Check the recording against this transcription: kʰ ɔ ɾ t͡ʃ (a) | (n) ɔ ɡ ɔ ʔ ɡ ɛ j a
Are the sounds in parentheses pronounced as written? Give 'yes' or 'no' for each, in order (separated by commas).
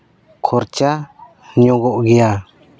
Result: yes, no